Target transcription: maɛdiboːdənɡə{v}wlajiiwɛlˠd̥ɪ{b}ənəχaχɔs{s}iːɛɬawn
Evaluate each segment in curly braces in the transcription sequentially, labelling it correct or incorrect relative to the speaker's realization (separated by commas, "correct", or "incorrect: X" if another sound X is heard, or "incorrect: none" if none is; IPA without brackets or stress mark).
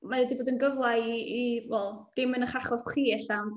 correct, incorrect: m, incorrect: χ